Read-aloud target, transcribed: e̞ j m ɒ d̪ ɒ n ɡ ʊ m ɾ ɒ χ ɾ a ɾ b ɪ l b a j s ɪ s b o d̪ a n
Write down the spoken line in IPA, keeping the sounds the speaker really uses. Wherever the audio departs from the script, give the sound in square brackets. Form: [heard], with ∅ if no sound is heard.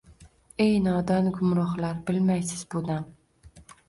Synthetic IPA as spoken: e̞ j [n] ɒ d̪ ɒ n ɡ ʊ m ɾ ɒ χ [l] a ɾ b ɪ l [m] a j s ɪ [z] b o d̪ a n

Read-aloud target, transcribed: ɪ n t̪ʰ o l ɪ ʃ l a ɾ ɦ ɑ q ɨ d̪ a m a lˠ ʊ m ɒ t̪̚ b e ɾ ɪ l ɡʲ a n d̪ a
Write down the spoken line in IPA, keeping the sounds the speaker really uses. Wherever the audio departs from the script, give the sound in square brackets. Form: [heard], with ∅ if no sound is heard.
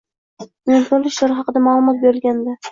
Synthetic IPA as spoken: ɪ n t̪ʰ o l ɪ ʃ l a ɾ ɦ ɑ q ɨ d̪ a m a lˠ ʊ m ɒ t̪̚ b e ɾ ɪ l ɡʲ a n d̪ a

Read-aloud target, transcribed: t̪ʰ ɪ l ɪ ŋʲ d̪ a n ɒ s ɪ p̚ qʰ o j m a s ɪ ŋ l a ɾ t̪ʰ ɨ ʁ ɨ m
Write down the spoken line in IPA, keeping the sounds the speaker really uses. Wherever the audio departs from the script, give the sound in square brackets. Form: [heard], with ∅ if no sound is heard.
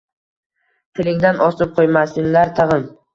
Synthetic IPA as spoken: t̪ʰ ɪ l ɪ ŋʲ d̪ a n ɒ s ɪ p̚ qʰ o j m a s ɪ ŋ l a ɾ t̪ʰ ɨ ʁ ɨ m

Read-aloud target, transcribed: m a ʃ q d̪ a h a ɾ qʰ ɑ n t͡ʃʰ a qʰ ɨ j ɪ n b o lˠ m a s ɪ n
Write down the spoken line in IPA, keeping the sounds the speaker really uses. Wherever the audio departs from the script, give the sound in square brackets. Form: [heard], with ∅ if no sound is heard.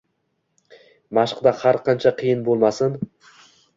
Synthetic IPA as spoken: m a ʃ q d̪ a h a ɾ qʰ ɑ n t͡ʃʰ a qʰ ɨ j ɪ n b o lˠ m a s ɪ n

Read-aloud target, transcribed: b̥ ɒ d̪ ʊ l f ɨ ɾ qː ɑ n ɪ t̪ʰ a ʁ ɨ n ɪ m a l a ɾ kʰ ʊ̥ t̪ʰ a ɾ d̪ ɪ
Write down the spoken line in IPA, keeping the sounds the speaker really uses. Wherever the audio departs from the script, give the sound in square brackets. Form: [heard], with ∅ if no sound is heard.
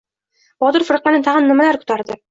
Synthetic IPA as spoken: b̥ ɒ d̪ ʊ [ɾ] f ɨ ɾ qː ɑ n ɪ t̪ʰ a ʁ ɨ [nː] ɪ m a l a ɾ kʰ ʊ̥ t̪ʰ a ɾ d̪ ɪ

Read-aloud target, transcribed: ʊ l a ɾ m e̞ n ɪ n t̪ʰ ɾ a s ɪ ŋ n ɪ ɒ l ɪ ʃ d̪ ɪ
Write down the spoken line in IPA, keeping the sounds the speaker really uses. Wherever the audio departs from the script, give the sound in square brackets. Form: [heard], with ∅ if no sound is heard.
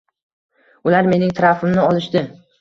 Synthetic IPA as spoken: ʊ l a ɾ m e̞ n ɪ [ŋ] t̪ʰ ɾ a [f] ɪ [m] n ɪ ɒ l ɪ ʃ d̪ ɪ

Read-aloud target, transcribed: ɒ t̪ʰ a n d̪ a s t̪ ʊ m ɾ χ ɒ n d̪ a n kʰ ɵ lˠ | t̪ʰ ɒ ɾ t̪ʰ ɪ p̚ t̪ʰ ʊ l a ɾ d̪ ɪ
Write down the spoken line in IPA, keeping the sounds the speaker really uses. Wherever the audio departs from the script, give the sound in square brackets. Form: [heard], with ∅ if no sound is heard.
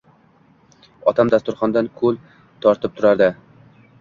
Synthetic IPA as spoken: ɒ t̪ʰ a [m] d̪ a s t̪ ʊ [∅] ɾ χ ɒ n d̪ a n kʰ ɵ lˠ | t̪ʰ ɒ ɾ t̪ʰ ɪ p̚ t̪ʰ ʊ [ɾ] a ɾ d̪ ɪ

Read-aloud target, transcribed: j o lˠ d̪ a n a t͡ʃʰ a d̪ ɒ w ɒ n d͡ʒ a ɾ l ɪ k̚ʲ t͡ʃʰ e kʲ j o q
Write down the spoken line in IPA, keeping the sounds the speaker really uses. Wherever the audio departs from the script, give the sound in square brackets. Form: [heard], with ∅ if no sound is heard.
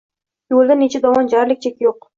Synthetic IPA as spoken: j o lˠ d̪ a n [e] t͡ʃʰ a d̪ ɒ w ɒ n d͡ʒ a ɾ l ɪ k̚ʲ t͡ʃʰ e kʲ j o q

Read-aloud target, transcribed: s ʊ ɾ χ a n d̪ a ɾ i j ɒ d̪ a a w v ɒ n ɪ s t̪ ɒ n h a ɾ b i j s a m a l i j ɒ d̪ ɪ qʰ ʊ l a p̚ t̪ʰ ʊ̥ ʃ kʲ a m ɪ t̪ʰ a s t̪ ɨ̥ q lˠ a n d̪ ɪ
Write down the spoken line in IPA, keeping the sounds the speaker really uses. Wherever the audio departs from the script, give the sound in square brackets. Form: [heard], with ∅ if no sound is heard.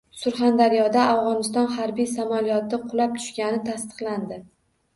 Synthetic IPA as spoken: s ʊ ɾ χ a n d̪ a ɾ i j ɒ d̪ a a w [ʁ] ɒ n ɪ s t̪ ɒ n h a ɾ b i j s a m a l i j ɒ [t̪] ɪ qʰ ʊ l a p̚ t̪ʰ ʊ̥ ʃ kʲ a [n] ɪ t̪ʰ a s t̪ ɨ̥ q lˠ a n d̪ ɪ

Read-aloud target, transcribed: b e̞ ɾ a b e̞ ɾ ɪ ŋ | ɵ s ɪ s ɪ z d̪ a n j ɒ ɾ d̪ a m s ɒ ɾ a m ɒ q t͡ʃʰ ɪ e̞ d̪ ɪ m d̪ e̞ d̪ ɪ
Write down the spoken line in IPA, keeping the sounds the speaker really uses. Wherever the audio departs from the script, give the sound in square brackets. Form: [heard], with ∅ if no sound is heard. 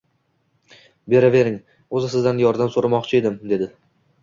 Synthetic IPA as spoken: b e̞ ɾ a [v] e̞ ɾ ɪ ŋ | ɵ [z] ɪ s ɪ z d̪ a n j ɒ ɾ d̪ a m s [o] ɾ a m ɒ q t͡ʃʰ ɪ e̞ d̪ ɪ m d̪ e̞ d̪ ɪ

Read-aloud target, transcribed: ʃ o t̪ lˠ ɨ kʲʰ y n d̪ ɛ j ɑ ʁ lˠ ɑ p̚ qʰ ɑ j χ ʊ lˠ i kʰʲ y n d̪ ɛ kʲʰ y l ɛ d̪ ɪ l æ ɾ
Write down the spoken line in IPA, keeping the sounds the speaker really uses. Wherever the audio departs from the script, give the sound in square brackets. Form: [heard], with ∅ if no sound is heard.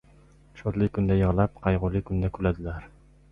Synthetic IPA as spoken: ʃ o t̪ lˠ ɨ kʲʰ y n d̪ ɛ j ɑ ʁ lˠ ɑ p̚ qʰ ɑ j [ʁ] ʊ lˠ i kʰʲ y n d̪ ɛ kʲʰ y l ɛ d̪ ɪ l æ ɾ

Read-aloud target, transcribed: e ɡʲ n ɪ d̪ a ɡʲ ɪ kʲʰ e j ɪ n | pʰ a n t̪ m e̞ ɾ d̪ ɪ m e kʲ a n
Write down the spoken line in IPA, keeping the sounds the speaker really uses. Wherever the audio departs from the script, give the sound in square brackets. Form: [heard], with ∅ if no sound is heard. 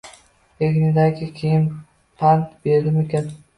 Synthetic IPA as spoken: e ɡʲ n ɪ d̪ a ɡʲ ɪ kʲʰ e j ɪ n | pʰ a n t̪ [b] e̞ ɾ d̪ ɪ m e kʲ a n

